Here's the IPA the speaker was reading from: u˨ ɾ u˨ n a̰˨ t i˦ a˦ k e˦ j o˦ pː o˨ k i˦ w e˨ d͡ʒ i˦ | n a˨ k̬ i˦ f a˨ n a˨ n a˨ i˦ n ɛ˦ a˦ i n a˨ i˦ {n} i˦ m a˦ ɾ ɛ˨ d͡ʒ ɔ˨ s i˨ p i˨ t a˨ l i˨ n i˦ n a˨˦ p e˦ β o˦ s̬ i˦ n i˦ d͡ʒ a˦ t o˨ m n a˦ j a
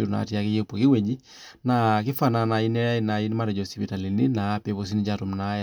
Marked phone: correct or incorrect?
correct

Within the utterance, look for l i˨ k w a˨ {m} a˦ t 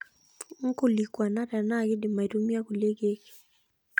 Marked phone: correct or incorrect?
incorrect: n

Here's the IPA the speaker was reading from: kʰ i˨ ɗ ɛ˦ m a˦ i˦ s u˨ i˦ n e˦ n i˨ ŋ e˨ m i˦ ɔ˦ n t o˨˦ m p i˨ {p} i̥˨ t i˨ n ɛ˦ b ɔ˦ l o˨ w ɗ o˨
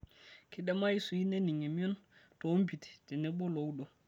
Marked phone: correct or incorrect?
incorrect: t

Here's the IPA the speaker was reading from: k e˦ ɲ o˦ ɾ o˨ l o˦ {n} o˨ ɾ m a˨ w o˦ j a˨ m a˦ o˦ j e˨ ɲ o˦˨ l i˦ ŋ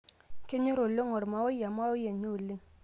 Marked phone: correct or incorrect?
incorrect: ŋ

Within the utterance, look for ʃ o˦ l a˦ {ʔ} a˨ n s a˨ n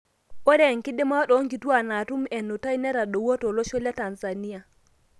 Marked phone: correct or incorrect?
incorrect: t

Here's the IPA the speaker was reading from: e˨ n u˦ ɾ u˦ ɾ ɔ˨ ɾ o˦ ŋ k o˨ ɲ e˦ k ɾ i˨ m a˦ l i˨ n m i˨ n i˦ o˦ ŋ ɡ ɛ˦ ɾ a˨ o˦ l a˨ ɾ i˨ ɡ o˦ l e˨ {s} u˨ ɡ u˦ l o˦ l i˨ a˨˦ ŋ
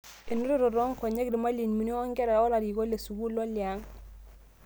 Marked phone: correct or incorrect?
correct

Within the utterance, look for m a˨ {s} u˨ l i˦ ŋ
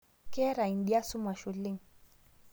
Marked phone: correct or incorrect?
incorrect: ʃ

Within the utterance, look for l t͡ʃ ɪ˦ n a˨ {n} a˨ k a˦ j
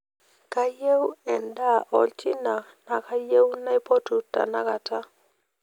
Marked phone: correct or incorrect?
correct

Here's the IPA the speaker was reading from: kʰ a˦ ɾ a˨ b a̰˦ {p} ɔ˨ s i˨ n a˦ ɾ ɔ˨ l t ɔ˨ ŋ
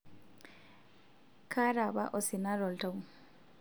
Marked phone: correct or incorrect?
incorrect: ʔ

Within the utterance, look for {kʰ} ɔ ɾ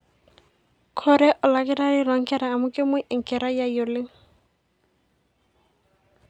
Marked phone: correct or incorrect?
correct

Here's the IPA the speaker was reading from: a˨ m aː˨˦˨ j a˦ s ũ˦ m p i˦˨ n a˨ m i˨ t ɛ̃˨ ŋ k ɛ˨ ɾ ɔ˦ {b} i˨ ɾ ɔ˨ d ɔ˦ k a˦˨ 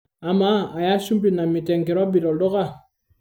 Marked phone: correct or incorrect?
correct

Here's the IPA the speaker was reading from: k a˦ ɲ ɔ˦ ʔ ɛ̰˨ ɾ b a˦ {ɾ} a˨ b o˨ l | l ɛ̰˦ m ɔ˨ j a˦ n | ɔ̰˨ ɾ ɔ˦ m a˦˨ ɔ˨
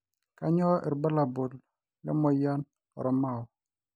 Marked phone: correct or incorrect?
incorrect: l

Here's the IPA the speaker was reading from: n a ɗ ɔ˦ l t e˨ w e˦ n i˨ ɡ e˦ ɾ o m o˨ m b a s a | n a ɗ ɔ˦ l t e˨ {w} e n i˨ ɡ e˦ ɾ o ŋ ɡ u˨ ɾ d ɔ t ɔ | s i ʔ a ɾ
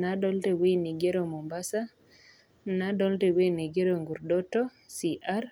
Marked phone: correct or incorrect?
correct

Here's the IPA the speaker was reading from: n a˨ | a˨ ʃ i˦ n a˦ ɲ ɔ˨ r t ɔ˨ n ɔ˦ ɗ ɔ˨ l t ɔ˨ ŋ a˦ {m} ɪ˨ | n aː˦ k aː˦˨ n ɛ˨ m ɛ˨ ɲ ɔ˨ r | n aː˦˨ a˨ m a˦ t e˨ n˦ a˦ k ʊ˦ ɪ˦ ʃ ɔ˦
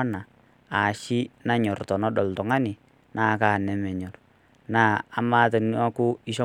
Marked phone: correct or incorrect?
incorrect: n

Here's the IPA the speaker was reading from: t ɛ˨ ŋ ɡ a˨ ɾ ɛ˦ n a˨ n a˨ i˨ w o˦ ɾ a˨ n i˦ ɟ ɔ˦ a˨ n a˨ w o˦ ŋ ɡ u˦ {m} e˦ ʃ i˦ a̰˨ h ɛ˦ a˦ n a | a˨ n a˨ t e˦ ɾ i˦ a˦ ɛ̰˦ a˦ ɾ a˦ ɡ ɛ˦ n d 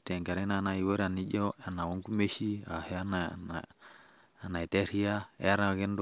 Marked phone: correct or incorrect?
correct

